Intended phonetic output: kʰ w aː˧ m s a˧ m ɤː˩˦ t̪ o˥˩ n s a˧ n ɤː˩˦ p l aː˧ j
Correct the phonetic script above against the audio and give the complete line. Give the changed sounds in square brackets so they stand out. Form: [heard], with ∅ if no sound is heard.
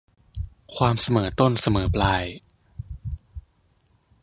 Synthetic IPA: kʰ w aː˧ m s a˧ m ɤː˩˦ t̪ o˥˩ n s a˧ [m] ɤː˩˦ p l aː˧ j